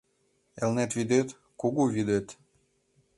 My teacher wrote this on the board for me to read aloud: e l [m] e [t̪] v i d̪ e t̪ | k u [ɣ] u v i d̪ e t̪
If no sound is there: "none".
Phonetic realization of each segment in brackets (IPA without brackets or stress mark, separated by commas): n, t̪, ɣ